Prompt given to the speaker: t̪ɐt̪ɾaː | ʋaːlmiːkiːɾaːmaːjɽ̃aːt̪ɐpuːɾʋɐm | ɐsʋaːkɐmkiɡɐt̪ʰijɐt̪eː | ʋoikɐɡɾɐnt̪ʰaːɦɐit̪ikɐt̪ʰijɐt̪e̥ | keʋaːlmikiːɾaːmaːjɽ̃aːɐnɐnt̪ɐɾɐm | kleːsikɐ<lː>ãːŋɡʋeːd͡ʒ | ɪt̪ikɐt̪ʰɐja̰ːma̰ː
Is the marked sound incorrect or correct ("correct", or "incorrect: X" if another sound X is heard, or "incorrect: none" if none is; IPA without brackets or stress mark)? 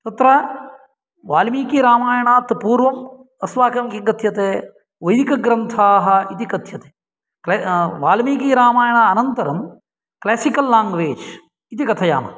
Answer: correct